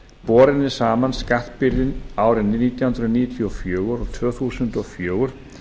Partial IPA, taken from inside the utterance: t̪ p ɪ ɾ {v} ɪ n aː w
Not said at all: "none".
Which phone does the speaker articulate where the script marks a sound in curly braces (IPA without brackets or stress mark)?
ð